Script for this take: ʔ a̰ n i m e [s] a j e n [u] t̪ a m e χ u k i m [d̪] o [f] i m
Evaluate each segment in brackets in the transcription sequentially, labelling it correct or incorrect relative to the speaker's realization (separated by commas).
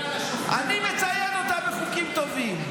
incorrect, incorrect, incorrect, incorrect